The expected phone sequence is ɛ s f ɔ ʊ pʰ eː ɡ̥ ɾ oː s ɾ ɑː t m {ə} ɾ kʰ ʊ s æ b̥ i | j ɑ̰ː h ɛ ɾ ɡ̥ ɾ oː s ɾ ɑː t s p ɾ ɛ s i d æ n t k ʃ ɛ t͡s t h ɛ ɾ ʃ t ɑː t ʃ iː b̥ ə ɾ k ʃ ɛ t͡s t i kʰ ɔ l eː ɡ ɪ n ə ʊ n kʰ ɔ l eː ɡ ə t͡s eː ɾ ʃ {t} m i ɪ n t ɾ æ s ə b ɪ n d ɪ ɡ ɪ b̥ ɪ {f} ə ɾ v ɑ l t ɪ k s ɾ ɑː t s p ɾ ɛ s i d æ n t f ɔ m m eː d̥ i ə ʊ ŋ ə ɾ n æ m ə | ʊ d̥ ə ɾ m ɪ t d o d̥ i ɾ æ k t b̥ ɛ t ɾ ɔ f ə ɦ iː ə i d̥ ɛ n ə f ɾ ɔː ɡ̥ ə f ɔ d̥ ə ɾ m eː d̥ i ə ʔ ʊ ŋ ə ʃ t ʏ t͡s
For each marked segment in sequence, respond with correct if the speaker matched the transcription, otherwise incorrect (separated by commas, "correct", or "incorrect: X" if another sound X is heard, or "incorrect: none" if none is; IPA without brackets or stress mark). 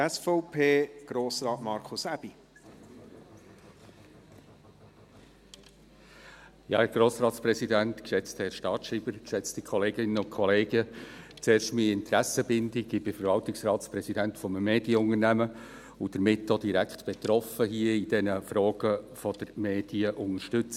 incorrect: ɑ, correct, correct